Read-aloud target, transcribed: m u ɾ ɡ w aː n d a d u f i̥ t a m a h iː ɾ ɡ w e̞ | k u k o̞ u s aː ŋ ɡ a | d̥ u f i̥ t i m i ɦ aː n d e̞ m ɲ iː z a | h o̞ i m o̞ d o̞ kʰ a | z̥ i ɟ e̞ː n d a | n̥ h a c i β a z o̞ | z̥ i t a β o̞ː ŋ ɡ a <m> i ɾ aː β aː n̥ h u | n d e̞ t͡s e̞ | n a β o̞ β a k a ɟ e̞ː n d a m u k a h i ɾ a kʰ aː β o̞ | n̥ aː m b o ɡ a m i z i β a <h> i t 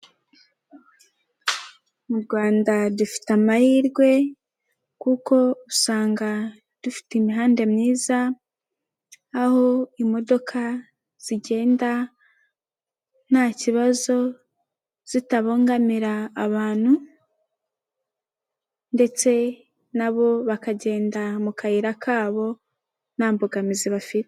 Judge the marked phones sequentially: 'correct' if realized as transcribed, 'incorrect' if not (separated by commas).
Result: correct, incorrect